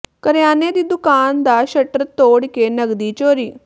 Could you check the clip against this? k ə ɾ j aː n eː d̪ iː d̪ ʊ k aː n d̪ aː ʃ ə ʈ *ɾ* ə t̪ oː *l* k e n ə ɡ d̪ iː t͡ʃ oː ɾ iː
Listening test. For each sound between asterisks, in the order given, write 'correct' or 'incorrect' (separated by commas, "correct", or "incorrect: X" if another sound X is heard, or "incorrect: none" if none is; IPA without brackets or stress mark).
correct, incorrect: ɽ